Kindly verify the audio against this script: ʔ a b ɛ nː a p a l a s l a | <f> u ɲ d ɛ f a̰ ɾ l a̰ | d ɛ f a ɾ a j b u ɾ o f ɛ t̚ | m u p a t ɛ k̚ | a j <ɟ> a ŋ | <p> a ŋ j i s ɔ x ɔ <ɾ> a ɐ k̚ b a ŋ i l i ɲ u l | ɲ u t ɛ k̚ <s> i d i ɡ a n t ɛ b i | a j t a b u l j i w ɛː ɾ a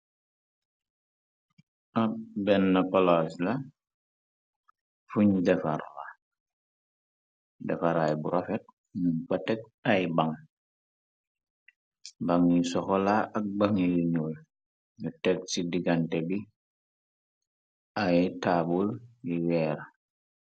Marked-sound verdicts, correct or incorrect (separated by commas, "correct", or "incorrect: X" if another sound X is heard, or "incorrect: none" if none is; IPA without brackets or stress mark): correct, incorrect: b, incorrect: b, incorrect: l, correct